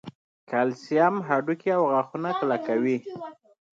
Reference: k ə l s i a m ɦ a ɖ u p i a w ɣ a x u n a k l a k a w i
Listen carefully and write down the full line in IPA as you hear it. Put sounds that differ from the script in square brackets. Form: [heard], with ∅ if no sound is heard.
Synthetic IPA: k [a] l s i a m ɦ a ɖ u [k] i a w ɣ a x u n a k l a k a w i